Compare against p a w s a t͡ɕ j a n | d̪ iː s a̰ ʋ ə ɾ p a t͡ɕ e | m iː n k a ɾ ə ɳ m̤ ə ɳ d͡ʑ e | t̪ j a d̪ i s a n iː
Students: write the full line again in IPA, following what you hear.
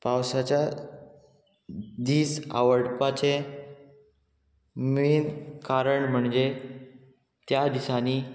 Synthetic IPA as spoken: p a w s a t͡ɕ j a | d̪ iː s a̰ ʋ ə ɽ p a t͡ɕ e | m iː n k a ɾ ə ɳ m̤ ə ɳ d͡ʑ e | t̪ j a d̪ i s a n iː